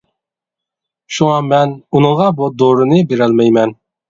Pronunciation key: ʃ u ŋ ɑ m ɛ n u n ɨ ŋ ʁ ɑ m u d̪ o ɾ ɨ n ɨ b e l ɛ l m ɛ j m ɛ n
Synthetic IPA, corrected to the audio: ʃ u ŋ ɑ m ɛ n u n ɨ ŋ ʁ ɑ b u d̪ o ɾ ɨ n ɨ b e ɾ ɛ l m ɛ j m ɛ n